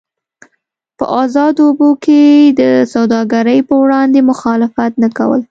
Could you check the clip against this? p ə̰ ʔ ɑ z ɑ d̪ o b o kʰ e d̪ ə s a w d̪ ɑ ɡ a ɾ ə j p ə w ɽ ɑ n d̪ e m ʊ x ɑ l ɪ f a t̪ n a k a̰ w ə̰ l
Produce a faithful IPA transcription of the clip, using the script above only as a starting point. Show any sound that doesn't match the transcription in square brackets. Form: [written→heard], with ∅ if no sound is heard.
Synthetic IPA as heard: p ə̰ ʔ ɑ z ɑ d̪ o b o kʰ e d̪ ə s a w d̪ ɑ ɡ a ɾ ə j p ə w ɽ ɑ n d̪ e m ʊ x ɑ l ɪ f a t̪ n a k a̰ w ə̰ l

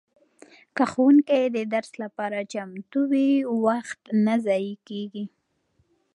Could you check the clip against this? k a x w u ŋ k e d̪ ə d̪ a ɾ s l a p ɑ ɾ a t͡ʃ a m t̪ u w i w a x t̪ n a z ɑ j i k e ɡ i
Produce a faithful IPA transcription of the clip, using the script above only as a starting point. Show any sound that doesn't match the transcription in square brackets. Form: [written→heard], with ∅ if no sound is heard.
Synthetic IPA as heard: k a x w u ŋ k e d̪ ə d̪ a ɾ s l a p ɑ ɾ a t͡ʃ a m t̪ u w i w a x t̪ n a z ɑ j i k e ɡ i

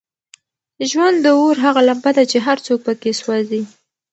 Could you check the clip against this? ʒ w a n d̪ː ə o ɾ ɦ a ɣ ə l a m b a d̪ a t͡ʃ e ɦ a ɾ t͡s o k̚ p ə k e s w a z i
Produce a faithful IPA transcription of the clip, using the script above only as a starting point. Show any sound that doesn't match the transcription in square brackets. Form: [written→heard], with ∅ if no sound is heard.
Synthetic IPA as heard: ʒ w a n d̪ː ə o ɾ ɦ a ɣ [ə→a] l a m b a d̪ a t͡ʃ e ɦ a ɾ t͡s o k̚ p ə k e s w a z i

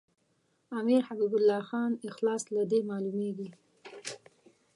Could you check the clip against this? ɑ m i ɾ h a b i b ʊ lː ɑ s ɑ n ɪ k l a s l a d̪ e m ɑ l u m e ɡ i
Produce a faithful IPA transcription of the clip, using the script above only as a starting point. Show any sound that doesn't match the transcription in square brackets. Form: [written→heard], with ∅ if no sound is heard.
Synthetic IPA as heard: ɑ m i ɾ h a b i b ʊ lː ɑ [s→x] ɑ n ɪ [k→x] l [a→ɑ] s l a d̪ e m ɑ l u m e ɡ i

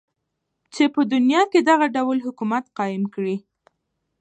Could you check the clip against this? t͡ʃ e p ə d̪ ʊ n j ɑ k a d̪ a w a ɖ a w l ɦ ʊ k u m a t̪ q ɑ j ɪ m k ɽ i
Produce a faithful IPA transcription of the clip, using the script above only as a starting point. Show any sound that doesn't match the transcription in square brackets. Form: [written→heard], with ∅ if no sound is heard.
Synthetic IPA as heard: t͡ʃ e p ə d̪ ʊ n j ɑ k [a→e] d̪ a [w→ɣ] a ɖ a w l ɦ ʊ k u m a t̪ q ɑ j ɪ m k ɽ i

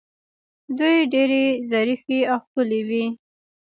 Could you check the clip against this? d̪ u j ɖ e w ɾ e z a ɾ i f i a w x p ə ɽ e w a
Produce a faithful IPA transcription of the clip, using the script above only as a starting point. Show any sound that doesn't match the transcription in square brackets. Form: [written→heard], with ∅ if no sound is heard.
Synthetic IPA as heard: d̪ u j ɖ e [w→∅] ɾ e z a ɾ i f i a w x [p→k] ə [ɽ→l] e w [a→i]

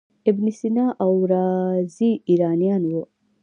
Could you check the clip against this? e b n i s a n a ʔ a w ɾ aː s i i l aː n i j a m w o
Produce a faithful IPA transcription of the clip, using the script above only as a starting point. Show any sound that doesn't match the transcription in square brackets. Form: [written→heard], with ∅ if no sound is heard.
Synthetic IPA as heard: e b n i s [a→i] n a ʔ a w ɾ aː [s→z] i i [l→ɾ] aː n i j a [m→n] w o

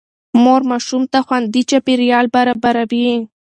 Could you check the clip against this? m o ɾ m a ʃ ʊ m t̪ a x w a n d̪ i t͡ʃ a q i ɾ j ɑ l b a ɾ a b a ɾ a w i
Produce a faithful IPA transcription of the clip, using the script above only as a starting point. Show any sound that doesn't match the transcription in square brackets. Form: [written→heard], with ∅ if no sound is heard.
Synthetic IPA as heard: m o ɾ m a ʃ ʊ m t̪ a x w a n d̪ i t͡ʃ a [q→p] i ɾ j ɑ l b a ɾ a b a ɾ a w i

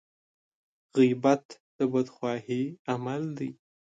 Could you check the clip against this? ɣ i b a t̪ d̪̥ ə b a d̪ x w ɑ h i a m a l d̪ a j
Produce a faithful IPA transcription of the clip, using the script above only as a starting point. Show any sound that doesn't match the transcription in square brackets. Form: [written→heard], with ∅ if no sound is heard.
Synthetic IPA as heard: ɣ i b a t̪ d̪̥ ə b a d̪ x w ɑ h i a m a l d̪ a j

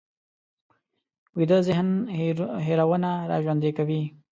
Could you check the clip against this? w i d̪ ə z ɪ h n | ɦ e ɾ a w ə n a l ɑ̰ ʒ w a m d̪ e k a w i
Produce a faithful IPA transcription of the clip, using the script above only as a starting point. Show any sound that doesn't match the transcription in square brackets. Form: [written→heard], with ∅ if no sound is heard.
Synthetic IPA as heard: w i d̪ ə z ɪ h n | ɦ e ɾ a w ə n a [l→ɾ] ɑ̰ ʒ w a [m→n] d̪ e k a w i

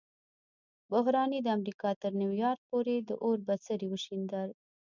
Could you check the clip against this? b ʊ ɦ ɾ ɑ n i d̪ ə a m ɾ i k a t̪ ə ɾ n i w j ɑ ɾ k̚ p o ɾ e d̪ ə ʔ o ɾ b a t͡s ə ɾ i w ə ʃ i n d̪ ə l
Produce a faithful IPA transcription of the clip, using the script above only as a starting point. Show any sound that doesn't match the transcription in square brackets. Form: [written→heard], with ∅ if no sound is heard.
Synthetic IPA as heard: b ʊ ɦ ɾ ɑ n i d̪ ə a m ɾ i k [a→ɑ] t̪ ə ɾ n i w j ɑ ɾ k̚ p o ɾ e d̪ ə ʔ o ɾ b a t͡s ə ɾ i w ə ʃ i n d̪ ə l

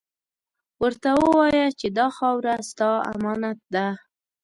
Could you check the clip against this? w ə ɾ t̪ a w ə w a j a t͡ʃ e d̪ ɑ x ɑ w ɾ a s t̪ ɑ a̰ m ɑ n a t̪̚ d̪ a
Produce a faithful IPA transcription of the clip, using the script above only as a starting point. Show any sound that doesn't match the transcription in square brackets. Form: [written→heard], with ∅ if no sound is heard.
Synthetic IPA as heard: w ə ɾ t̪ a w ə w [a→ɑ] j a t͡ʃ e d̪ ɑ x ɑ w ɾ a s t̪ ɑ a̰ m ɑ n a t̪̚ d̪ a

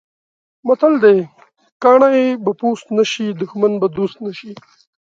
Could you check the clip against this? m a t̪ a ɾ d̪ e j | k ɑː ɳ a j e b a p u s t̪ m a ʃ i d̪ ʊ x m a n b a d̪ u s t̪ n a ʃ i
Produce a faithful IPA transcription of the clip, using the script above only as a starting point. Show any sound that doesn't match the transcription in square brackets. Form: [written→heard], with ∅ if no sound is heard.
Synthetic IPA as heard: m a t̪ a [ɾ→l] d̪ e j | k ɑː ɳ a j e b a p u s t̪ [m→n] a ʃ i d̪ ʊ x m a n b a d̪ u s t̪ n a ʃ i

